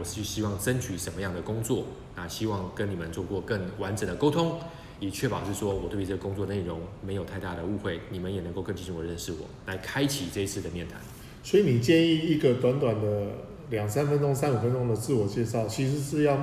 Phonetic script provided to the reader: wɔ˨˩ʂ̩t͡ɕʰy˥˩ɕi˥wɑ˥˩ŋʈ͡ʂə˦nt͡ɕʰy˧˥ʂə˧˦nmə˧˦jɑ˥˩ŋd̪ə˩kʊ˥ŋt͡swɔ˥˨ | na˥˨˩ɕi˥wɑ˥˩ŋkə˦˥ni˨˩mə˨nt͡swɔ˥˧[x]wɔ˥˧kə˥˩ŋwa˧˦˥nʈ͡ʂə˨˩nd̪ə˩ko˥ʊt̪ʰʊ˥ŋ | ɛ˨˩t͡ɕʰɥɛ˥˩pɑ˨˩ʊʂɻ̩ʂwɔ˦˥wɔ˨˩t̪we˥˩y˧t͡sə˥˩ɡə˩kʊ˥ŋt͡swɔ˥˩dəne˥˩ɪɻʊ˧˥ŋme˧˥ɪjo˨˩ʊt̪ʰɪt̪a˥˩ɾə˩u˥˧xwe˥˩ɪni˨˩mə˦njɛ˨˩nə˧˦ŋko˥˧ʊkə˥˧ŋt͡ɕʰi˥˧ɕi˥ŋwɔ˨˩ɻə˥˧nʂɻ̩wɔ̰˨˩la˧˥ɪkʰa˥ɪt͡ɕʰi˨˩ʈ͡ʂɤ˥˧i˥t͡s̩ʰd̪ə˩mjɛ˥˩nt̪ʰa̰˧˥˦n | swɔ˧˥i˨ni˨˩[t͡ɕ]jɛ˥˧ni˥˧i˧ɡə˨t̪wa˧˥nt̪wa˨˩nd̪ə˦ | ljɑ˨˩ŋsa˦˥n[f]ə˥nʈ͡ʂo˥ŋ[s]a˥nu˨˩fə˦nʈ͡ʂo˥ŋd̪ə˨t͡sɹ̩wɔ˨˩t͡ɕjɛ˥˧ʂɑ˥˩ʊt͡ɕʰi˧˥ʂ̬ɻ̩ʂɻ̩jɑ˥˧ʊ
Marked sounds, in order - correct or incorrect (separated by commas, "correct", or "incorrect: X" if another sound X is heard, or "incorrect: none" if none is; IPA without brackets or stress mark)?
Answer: incorrect: k, correct, correct, correct